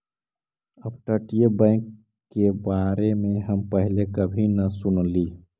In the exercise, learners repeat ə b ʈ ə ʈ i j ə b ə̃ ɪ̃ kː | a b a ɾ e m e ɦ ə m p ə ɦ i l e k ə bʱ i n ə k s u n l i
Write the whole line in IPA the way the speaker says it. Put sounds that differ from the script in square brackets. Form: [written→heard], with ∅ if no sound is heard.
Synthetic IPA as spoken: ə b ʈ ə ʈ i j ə b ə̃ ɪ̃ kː | [a→e] b a ɾ e m e ɦ ə m p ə ɦ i l e k ə bʱ i n ə [k→∅] s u n l i